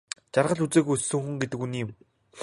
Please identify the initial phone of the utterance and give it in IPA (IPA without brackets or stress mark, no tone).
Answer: t͡ɕ